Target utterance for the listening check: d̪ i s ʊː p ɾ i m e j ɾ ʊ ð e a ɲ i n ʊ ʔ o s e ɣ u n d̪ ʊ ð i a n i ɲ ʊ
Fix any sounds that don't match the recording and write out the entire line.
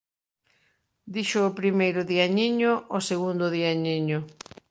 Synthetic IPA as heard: d̪ i ʃ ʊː p ɾ i m e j ɾ ʊ ð i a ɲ i ɲ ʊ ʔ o s e ɣ u n d̪ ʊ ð i a ɲ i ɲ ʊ